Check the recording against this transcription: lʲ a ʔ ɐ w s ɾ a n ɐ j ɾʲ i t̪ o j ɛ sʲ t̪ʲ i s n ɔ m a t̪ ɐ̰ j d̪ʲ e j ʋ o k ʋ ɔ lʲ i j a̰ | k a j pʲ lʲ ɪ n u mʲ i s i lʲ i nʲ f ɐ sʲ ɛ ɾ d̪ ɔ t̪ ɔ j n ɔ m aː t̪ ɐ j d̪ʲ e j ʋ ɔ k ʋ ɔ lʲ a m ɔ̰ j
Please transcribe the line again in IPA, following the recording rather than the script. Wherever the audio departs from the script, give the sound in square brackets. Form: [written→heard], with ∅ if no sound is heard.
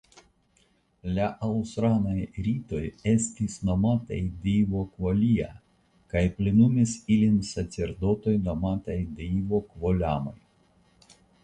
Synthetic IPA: lʲ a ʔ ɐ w s ɾ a n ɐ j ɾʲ i t̪ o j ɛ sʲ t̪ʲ i s n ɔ m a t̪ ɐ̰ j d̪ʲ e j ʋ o k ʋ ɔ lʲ i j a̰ | k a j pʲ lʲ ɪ n u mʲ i s i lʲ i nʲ [f→s] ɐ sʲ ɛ ɾ d̪ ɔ t̪ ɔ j n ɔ m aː t̪ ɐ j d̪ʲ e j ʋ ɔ k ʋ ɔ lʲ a m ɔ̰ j